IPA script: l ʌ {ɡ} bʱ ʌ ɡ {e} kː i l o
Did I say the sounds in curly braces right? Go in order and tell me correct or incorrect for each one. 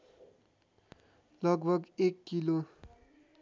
correct, correct

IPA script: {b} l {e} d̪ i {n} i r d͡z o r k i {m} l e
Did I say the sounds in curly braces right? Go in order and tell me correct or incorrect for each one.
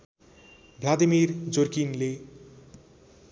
correct, incorrect: a, incorrect: m, incorrect: n

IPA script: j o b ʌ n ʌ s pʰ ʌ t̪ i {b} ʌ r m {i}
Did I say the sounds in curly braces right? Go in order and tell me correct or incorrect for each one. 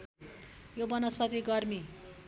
incorrect: ɡ, correct

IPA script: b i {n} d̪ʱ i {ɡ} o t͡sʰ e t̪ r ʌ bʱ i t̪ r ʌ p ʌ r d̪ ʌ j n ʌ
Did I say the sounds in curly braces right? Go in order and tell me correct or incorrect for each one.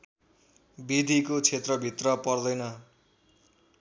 incorrect: none, incorrect: k

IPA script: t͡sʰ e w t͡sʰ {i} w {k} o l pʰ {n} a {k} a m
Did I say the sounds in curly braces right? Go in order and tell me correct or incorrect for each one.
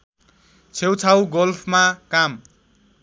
incorrect: a, incorrect: ɡ, incorrect: m, correct

